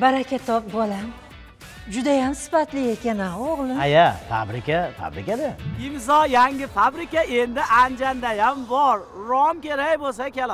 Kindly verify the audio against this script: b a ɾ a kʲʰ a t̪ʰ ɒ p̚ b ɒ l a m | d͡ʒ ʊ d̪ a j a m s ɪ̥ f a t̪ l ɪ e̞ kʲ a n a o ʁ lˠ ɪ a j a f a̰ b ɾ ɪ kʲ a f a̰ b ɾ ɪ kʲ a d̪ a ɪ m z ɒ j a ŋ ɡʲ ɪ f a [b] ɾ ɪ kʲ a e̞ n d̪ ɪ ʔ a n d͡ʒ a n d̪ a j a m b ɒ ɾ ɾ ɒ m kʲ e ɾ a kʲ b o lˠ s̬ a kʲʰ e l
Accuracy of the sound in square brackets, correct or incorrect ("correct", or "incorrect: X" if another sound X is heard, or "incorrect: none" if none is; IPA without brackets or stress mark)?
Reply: correct